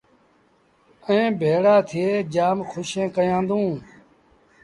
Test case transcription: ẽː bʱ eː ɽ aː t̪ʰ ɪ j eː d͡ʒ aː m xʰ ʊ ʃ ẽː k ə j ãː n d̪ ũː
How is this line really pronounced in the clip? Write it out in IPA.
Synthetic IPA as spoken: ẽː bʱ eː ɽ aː t̪ʰ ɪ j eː d͡ʒ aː m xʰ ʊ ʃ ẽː k ə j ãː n d̪ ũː

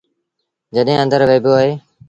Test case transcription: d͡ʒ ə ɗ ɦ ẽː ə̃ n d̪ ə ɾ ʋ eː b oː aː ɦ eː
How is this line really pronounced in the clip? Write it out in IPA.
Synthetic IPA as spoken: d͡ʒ ə ɗ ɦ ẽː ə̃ n d̪ ə ɾ ʋ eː b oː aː ɦ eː

